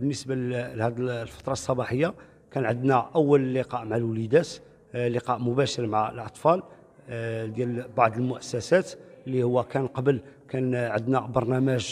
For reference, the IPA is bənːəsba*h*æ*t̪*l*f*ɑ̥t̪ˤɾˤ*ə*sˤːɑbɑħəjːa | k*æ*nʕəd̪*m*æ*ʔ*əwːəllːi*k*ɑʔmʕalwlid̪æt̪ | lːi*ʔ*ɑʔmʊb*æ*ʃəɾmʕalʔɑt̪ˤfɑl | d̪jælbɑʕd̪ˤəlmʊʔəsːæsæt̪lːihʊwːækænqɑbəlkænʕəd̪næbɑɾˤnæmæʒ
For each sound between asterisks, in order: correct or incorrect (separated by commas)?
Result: correct, incorrect, correct, incorrect, correct, incorrect, correct, incorrect, incorrect, correct